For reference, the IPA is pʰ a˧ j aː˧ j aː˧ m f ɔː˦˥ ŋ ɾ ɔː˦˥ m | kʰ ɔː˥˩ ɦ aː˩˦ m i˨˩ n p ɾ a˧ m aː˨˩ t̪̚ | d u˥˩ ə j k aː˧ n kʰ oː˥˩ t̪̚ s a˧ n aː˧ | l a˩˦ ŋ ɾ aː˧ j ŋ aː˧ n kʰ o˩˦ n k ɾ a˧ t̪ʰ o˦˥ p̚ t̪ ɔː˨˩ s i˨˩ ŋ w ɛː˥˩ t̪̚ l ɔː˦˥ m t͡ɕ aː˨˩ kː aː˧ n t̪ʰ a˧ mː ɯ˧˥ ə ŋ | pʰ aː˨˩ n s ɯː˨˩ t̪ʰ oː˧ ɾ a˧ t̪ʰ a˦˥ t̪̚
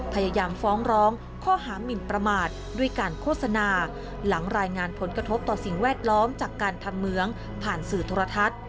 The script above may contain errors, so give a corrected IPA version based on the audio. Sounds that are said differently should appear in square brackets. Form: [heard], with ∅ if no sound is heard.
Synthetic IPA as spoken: pʰ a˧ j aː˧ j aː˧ m f ɔː˦˥ ŋ ɾ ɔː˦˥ [ŋ] | kʰ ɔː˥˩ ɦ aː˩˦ m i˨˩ n p ɾ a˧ m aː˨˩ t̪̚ | d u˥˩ ə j k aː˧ n kʰ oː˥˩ t̪̚ s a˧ n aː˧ | l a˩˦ ŋ ɾ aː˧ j ŋ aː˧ n [pʰ] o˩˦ n k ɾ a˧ t̪ʰ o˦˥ p̚ t̪ ɔː˨˩ s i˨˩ ŋ w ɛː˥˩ t̪̚ l ɔː˦˥ m t͡ɕ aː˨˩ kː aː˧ n t̪ʰ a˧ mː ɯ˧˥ ə ŋ | pʰ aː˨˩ n s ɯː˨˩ t̪ʰ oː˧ ɾ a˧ t̪ʰ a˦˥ t̪̚